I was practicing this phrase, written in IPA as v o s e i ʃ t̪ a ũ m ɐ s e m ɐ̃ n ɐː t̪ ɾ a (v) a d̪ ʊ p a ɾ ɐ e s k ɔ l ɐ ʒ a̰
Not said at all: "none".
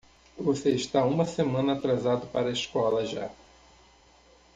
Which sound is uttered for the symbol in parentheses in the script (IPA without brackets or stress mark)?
z